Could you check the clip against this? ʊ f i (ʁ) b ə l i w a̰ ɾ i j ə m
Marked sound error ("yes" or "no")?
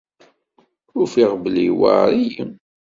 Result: no